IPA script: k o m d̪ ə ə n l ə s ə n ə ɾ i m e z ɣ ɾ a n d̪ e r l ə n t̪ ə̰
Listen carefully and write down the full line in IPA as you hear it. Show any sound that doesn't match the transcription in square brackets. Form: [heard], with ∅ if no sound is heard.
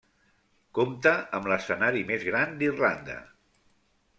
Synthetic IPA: k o m [t̪] ə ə [m] l ə s ə n [a] ɾ i m e z ɣ ɾ a n d̪ [i] r l [a] n [d̪] ə̰